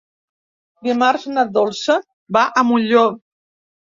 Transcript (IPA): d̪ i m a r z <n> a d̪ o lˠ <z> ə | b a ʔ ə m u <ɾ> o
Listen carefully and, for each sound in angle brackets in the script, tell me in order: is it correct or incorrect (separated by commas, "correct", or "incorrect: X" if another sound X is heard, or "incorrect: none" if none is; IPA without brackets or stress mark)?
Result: correct, incorrect: s, incorrect: ʎ